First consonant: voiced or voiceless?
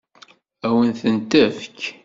voiced